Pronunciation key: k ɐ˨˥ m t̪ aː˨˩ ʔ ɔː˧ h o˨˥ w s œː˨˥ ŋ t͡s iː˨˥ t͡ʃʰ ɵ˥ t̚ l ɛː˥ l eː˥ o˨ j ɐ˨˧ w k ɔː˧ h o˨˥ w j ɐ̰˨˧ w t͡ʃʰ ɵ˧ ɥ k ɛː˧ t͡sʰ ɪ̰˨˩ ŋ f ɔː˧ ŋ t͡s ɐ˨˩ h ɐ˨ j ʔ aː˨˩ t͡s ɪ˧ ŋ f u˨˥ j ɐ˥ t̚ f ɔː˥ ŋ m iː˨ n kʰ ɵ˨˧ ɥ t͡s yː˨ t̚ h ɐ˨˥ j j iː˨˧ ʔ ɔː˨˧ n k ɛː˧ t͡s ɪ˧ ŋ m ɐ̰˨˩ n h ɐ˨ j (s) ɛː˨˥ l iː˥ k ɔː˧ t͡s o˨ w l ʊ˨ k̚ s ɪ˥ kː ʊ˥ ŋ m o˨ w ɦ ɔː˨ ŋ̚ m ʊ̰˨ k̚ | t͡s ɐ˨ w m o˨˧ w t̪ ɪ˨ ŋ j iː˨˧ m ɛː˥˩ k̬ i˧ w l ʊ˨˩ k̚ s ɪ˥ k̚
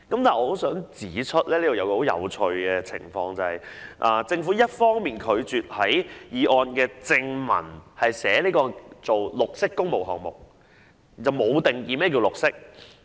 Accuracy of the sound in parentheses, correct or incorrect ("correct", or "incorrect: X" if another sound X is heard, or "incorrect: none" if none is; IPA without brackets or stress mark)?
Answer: correct